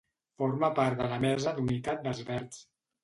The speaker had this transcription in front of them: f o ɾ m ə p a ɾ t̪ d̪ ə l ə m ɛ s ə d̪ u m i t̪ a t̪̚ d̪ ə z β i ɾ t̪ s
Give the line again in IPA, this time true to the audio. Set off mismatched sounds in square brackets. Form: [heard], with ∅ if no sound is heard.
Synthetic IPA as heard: f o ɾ m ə p a ɾ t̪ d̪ ə l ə m ɛ [z] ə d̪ u [n] i t̪ a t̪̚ d̪ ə z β [ɛ] ɾ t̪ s